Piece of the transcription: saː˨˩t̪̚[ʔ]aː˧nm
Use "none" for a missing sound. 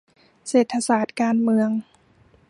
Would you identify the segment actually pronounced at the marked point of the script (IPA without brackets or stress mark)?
k